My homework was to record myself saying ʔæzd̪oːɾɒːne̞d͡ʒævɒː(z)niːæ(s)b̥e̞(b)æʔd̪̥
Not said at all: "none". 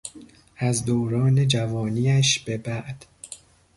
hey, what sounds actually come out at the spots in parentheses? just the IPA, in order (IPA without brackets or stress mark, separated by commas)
none, ʃ, b